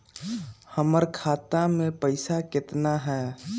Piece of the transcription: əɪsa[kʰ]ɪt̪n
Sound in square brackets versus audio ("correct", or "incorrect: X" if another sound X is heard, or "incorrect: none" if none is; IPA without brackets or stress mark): incorrect: k